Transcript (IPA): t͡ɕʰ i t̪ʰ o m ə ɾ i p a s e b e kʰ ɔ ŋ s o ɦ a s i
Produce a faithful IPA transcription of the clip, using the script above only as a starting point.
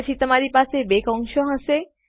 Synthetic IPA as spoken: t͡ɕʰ i t̪ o m a ɾ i p a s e b e k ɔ ŋ ʃ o ɦ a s e

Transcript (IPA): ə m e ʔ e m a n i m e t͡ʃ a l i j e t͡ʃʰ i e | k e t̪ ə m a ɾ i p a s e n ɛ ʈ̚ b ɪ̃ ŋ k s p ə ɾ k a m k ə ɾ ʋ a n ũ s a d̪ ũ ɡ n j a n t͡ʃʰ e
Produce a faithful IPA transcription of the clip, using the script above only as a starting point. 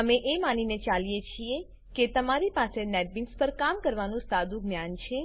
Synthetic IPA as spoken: ə m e ʔ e m a n i n e t͡ʃ a l i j e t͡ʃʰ i e | k e t̪ ə m a ɾ i p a s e n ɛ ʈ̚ b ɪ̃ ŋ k s p ə ɾ k a m k ə ɾ ʋ a n ũ s a d̪ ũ ɡ n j a n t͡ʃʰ e

